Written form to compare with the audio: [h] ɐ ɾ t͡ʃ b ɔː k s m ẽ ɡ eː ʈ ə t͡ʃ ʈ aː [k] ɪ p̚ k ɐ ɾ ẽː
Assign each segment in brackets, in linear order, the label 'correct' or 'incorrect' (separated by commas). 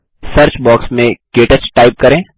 incorrect, incorrect